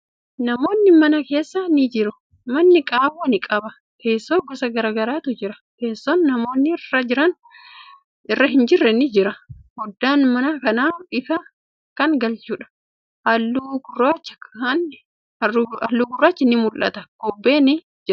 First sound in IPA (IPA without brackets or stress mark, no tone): n